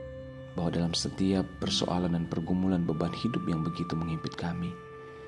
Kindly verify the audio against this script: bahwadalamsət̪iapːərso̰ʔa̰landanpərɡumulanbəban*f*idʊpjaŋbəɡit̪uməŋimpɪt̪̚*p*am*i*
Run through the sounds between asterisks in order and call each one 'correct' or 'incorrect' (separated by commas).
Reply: incorrect, incorrect, correct